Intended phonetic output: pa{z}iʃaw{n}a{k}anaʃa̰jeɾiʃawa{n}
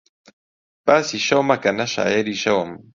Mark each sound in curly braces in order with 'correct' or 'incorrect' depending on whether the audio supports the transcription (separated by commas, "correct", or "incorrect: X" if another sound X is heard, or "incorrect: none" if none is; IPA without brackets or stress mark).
incorrect: s, incorrect: m, correct, incorrect: m